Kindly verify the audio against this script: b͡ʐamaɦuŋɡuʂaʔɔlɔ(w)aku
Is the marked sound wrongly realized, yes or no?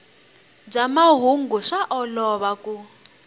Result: yes